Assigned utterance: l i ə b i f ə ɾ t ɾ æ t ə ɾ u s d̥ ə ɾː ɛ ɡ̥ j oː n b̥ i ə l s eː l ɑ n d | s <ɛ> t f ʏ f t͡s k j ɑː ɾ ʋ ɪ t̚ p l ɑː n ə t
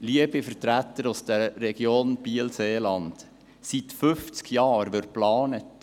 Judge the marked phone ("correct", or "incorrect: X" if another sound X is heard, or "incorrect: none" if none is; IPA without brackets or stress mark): incorrect: i